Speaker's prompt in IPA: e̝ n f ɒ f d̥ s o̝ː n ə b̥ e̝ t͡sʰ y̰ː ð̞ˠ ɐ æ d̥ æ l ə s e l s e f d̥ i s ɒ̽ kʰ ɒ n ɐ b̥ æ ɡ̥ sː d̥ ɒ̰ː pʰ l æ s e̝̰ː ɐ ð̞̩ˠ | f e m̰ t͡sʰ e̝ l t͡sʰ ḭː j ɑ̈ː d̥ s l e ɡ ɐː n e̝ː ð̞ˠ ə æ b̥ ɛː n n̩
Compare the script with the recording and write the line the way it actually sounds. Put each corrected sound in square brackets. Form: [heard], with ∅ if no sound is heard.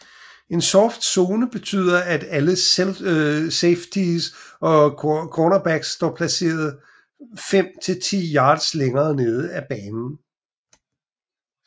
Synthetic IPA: e̝ n [s] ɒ f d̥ s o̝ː n ə b̥ e̝ t͡sʰ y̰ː ð̞ˠ ɐ æ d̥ æ l ə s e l s e f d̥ i s ɒ̽ kʰ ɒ n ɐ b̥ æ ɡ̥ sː d̥ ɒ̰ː pʰ l æ s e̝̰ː ɐ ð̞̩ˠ | f e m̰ t͡sʰ e̝ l t͡sʰ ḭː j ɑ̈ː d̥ s l e [ŋ] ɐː n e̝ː ð̞ˠ ə æ b̥ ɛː n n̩